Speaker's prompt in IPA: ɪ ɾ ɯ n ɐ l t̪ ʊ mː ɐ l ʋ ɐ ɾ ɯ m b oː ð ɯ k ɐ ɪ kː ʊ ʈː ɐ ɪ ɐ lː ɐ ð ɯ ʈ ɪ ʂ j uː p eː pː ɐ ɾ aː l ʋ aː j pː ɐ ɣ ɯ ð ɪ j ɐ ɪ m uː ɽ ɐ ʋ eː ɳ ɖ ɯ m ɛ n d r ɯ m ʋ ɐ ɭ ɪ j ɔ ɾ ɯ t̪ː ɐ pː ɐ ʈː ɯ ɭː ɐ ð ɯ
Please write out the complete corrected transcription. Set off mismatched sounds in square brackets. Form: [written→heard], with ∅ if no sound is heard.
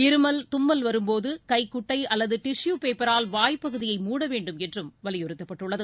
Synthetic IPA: ɪ ɾ ɯ [n→m] ɐ l t̪ ʊ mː ɐ l ʋ ɐ ɾ ɯ m [b→p] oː ð ɯ k ɐ ɪ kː ʊ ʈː ɐ ɪ ɐ lː ɐ ð ɯ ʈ ɪ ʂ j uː p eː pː ɐ ɾ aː l ʋ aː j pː ɐ ɣ ɯ ð ɪ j ɐ ɪ m uː ɽ ɐ ʋ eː ɳ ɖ ɯ m ɛ n d r ɯ m ʋ ɐ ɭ ɪ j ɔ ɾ ɯ t̪ː ɐ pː ɐ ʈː ɯ ɭː ɐ ð ɯ